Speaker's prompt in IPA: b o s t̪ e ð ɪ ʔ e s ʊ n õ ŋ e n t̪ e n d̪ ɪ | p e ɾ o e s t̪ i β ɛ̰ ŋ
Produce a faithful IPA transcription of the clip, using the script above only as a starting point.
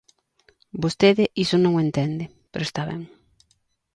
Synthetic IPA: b o s t̪ e ð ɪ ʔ i s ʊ n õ ŋ e n t̪ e n d̪ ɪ | p e ɾ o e s t̪ a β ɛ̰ ŋ